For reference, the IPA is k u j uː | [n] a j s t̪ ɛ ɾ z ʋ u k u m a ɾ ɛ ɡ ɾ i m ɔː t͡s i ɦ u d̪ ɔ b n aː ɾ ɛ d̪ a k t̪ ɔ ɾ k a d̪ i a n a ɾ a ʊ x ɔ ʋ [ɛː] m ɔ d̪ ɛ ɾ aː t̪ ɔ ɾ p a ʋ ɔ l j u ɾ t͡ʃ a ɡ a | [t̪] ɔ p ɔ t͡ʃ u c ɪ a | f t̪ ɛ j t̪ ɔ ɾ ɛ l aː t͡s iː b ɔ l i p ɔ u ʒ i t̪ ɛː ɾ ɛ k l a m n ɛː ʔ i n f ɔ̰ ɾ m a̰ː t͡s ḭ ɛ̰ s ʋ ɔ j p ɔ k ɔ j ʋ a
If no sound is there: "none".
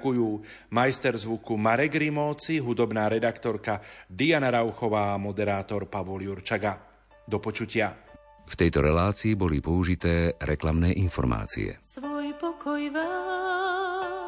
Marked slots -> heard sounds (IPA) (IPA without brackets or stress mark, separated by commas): m, aː, d̪